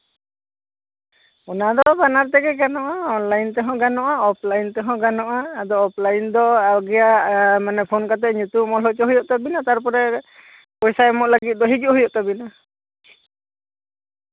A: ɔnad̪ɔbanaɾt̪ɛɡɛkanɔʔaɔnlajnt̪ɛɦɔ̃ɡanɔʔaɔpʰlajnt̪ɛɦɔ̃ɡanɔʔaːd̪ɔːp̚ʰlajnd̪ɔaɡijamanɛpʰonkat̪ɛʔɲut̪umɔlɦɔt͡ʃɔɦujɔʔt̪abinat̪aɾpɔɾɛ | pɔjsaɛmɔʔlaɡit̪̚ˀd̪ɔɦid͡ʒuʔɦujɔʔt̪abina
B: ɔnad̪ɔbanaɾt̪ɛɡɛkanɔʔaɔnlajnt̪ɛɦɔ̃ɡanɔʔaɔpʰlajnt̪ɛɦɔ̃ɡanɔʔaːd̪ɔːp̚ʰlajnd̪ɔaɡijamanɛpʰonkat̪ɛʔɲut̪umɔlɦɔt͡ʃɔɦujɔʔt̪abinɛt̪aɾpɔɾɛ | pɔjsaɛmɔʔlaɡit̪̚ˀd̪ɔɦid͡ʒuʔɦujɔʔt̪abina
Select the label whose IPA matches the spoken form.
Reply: A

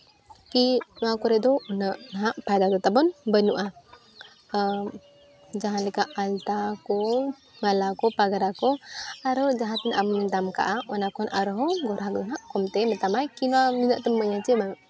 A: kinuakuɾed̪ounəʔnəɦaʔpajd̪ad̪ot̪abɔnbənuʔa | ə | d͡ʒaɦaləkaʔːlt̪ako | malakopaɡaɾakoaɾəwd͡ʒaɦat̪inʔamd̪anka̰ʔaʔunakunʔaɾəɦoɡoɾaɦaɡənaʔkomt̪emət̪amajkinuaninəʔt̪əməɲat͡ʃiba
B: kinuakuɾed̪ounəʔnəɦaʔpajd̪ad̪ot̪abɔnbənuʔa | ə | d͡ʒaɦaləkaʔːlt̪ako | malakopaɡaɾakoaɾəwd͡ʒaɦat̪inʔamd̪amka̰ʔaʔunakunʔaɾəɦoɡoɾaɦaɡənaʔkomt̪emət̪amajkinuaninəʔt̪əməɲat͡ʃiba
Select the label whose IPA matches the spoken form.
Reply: B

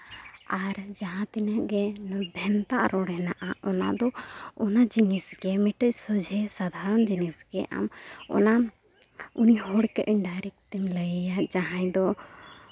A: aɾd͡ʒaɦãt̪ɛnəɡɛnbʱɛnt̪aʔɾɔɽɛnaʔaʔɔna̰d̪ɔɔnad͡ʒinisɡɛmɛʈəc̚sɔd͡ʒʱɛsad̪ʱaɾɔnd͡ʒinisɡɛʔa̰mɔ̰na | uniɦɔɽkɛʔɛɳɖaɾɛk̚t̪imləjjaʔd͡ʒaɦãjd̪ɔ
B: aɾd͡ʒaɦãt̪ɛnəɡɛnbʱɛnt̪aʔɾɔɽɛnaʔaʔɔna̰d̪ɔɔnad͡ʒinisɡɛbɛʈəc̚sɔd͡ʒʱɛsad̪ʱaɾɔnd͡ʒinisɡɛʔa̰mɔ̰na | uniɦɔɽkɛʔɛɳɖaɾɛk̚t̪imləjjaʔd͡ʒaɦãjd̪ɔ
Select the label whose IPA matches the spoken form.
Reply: A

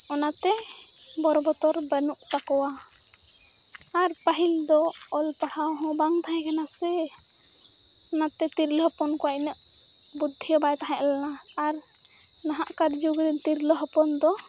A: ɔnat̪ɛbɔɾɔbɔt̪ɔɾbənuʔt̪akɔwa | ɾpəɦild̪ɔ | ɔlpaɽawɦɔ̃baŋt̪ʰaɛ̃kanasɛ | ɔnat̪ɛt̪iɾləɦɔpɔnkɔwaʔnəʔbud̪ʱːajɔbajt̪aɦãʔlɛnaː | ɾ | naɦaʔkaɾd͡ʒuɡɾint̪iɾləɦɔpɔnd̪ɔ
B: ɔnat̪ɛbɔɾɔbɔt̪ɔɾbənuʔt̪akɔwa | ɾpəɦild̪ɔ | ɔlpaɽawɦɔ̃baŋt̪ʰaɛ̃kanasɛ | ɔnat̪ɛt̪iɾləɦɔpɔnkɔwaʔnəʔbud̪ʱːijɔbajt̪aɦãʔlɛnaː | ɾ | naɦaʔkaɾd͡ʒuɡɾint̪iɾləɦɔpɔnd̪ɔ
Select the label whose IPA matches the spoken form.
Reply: B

